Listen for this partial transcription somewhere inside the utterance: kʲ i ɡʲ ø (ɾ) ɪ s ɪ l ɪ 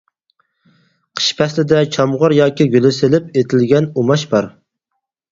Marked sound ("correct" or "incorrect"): incorrect